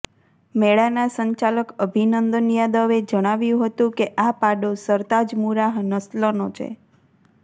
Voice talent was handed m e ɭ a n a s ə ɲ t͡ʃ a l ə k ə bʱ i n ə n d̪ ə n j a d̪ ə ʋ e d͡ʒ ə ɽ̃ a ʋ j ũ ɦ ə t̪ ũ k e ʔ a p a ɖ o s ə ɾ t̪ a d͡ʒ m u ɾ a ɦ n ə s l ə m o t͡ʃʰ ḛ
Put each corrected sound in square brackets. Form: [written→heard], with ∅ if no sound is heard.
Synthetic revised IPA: m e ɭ a n a s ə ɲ t͡ʃ a l ə k ə bʱ i n ə n d̪ ə n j a d̪ ə ʋ e d͡ʒ ə ɽ̃ a ʋ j ũ ɦ ə t̪ ũ k e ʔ a p a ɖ o s ə ɾ t̪ a d͡ʒ m u ɾ a ɦ n ə s l ə [m→n] o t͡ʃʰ ḛ